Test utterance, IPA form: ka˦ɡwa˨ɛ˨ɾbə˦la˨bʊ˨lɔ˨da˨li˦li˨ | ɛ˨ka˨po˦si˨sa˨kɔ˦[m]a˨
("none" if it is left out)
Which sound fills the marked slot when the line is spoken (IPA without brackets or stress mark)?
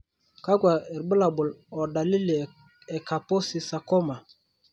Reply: m